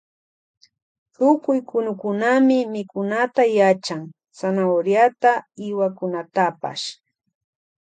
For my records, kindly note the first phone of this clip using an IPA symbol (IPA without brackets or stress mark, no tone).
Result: t̪